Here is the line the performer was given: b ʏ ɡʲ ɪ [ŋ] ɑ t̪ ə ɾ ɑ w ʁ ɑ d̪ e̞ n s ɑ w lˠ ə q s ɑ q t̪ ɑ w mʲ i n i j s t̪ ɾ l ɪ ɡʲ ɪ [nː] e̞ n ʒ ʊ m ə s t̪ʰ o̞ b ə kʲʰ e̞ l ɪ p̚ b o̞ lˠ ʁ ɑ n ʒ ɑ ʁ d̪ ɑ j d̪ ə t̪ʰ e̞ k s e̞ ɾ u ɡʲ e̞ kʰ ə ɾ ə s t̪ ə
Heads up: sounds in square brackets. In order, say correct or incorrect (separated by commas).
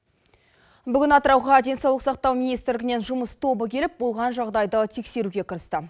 incorrect, incorrect